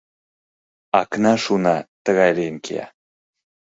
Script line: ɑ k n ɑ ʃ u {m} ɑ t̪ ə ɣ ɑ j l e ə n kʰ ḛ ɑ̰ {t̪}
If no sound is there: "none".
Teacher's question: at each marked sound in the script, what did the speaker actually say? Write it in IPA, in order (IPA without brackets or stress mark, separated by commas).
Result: n, none